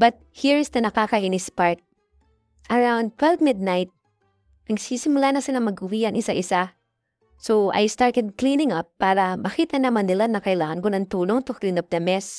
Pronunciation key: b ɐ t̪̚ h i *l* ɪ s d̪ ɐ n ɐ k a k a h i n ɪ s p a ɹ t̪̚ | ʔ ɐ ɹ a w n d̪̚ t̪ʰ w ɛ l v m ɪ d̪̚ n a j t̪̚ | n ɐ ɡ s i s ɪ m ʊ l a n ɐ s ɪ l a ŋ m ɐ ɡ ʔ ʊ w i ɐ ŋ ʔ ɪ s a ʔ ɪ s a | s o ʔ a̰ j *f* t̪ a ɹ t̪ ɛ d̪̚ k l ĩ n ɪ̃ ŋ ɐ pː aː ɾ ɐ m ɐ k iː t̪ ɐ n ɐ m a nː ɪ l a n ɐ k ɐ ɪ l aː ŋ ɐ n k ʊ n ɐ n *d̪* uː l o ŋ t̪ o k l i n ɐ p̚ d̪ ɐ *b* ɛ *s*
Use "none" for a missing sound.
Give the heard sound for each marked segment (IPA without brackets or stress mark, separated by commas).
ɹ, s, t̪, m, s